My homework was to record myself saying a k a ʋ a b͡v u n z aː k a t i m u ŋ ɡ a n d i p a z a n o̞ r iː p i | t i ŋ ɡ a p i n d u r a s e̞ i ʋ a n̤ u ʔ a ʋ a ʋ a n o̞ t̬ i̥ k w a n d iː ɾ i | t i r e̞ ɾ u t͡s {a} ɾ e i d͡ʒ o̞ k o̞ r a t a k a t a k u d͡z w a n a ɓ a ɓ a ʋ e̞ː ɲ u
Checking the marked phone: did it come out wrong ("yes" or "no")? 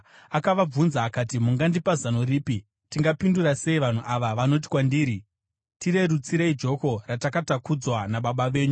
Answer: yes